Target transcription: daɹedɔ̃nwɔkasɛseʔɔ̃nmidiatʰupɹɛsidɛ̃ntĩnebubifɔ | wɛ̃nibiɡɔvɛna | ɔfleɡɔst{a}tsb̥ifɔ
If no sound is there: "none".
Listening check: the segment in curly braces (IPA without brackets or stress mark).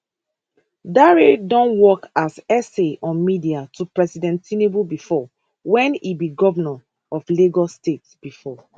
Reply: e